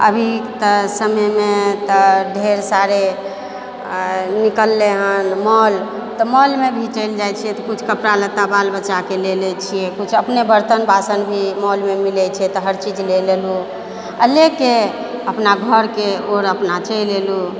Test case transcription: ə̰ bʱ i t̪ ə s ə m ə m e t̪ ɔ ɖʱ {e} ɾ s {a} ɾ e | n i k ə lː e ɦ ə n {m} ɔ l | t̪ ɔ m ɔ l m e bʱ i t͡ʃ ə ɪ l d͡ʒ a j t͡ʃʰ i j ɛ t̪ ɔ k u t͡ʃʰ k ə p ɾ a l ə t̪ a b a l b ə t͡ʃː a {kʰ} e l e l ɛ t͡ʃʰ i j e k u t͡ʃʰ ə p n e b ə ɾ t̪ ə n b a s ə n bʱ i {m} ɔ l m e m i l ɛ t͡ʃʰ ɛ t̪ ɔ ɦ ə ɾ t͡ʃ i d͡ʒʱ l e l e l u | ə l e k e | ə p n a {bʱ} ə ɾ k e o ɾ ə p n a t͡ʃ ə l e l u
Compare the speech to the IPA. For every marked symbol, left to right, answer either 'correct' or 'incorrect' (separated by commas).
correct, correct, correct, incorrect, correct, incorrect